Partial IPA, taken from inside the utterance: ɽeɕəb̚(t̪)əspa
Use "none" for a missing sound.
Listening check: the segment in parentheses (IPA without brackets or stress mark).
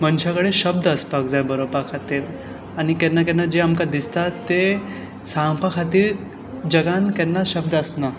d̪